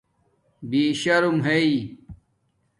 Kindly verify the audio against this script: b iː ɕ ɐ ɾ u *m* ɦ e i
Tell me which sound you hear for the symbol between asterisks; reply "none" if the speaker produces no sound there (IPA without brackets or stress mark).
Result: m